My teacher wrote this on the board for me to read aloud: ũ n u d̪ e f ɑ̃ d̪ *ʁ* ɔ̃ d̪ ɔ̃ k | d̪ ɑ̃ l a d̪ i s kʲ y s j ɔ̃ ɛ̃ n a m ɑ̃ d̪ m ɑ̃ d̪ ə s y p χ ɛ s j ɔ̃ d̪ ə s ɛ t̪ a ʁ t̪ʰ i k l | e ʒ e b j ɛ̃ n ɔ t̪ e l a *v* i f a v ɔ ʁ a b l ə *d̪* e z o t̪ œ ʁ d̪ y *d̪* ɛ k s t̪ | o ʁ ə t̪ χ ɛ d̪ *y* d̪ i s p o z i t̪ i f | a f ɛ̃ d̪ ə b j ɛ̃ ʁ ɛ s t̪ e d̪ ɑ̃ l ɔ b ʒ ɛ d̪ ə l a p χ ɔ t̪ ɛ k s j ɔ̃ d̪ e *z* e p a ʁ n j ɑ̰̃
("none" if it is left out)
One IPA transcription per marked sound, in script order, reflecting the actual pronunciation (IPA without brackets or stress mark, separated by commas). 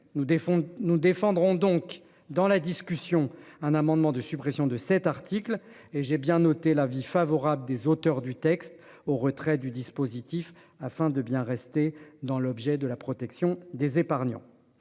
ʁ, v, d̪, t̪, y, z